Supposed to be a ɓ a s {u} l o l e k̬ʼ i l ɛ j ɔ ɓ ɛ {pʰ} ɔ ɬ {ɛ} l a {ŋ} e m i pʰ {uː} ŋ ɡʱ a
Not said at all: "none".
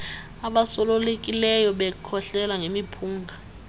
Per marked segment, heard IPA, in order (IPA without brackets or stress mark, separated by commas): ɔ, kʰ, ɛ, ŋ, uː